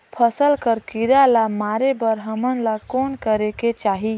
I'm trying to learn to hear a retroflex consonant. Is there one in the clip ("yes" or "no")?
no